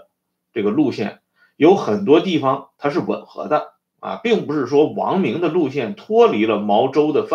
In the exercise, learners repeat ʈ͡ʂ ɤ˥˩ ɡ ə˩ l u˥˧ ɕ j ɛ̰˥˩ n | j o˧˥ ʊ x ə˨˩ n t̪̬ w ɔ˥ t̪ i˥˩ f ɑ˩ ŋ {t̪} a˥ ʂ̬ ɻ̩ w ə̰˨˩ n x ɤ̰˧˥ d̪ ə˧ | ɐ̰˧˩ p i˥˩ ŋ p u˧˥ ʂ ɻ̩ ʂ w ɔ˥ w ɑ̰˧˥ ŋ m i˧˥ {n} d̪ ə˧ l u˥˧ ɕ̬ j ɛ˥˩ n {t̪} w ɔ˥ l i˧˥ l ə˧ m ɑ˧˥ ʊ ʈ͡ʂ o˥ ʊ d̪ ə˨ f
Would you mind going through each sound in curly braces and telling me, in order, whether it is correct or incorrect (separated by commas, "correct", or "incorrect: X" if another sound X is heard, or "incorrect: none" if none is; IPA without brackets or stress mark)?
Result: incorrect: t̪ʰ, incorrect: ŋ, incorrect: t̪ʰ